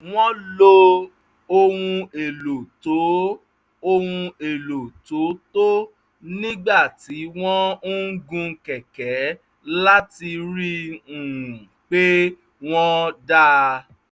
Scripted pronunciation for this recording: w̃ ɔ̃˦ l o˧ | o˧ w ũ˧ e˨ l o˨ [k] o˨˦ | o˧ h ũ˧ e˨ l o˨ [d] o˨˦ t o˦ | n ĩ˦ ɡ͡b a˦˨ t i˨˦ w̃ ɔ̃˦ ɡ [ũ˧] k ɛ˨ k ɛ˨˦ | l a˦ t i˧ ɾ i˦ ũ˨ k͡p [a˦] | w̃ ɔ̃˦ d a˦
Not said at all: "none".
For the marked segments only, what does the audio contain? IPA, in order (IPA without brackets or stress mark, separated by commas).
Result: t, t, ũ˧, e˦